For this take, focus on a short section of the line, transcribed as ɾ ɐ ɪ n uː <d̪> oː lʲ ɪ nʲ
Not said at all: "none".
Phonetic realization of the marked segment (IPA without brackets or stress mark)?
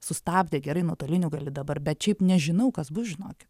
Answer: t̪